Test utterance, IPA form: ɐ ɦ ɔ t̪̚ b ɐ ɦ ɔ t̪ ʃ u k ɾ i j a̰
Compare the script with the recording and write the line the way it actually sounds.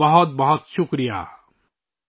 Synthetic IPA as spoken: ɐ ɦ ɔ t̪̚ b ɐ ɦ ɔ t̪ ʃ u k ɾ i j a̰